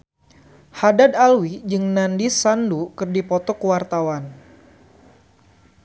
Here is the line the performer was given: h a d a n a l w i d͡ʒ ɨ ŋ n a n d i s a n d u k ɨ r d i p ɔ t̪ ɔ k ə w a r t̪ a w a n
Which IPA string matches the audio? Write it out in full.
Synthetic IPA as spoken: h a d a d a l w i d͡ʒ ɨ ŋ n a n d i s a n d u k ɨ r d i p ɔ t̪ ɔ k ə w a r t̪ a w a n